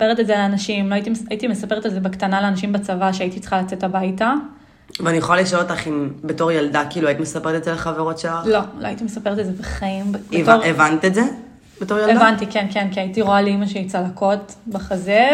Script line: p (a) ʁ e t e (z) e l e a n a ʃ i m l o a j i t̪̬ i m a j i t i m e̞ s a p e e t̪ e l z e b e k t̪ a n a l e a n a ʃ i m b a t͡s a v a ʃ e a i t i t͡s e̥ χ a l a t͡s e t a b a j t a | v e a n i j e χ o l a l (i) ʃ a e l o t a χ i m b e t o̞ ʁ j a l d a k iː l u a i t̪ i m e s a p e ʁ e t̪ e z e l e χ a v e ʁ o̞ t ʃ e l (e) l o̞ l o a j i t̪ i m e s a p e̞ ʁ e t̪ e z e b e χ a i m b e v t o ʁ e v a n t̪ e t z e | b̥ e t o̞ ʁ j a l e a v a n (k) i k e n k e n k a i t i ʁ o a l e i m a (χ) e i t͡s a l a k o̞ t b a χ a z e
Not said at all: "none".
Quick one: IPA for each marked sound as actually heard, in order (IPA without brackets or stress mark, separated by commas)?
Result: e, z, i, a, t, ʃ